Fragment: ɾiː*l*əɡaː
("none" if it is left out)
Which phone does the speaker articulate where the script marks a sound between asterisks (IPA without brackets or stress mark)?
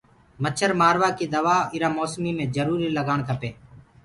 l